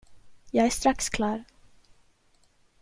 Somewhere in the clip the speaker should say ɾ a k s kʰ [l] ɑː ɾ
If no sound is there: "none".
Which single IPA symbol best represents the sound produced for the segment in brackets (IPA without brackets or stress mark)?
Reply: l